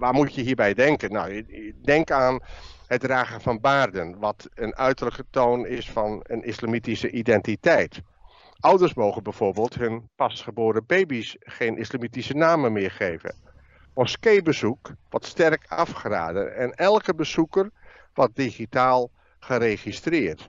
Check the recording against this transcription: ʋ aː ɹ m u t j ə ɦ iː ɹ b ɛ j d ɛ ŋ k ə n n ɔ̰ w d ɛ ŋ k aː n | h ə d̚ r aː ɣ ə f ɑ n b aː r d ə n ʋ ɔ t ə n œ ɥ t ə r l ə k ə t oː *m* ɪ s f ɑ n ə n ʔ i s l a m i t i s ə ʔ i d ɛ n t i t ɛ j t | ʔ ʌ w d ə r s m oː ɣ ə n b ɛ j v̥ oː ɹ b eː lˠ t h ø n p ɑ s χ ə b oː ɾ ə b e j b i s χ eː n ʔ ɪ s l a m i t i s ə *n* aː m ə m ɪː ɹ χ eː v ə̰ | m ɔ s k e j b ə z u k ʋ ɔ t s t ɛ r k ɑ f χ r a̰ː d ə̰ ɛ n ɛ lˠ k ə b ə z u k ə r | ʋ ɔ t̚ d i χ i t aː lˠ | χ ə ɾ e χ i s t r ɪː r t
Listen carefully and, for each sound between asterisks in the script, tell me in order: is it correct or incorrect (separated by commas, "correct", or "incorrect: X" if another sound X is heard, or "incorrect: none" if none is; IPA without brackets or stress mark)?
incorrect: n, correct